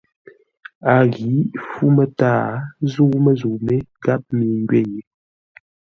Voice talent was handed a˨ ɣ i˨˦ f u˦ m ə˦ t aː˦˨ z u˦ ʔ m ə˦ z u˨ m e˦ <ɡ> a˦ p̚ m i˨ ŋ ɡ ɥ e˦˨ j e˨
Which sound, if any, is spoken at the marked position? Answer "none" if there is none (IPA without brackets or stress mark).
ɡ